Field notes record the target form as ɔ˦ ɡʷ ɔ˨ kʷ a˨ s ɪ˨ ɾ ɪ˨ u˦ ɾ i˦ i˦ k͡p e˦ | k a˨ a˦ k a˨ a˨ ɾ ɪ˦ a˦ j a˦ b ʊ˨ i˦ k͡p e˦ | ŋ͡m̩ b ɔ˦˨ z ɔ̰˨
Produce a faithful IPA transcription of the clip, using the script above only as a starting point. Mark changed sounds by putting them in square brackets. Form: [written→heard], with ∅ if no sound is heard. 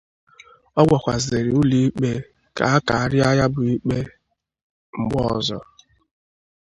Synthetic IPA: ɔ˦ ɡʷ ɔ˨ kʷ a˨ [s→z] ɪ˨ ɾ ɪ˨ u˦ [ɾ→l] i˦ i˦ k͡p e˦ | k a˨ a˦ k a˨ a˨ ɾ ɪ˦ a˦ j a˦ b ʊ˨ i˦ k͡p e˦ | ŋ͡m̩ [b→ɡ͡b] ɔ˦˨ z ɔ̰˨